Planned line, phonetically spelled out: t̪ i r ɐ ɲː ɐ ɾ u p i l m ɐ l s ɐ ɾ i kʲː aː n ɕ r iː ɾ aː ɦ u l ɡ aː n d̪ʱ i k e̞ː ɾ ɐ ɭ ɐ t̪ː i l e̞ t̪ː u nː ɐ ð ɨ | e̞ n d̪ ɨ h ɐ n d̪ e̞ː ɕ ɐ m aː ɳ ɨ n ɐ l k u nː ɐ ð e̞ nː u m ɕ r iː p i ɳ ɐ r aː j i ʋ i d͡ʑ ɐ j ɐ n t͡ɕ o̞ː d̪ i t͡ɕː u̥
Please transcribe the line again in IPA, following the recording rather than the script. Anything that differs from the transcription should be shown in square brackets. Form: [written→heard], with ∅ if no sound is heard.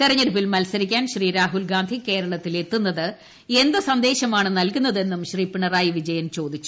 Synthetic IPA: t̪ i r ɐ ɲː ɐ ɾ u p i l m ɐ l s ɐ ɾ i kʲː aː n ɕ r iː ɾ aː ɦ u l ɡ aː n d̪ʱ i k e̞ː ɾ ɐ ɭ ɐ t̪ː i l e̞ t̪ː u nː ɐ ð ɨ | e̞ n d̪ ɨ [h→s] ɐ n d̪ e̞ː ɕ ɐ m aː ɳ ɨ n ɐ l k u nː ɐ ð e̞ nː u m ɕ r iː p i ɳ ɐ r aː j i ʋ i d͡ʑ ɐ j ɐ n t͡ɕ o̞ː d̪ i t͡ɕː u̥